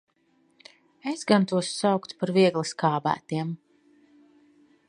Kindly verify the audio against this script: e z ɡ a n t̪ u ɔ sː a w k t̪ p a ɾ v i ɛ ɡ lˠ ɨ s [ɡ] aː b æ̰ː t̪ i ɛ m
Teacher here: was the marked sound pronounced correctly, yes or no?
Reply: no